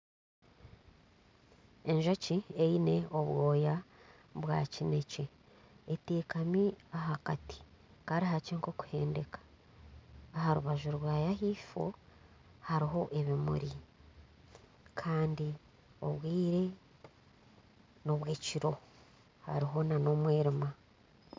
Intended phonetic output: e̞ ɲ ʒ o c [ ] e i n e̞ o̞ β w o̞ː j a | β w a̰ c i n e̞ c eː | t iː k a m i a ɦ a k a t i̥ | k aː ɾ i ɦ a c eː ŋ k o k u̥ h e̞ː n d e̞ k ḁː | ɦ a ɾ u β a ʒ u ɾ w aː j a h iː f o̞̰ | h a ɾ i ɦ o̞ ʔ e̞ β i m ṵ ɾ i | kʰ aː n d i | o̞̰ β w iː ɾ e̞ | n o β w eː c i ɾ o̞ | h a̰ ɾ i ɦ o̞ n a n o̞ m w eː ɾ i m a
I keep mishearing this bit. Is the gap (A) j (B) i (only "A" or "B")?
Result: B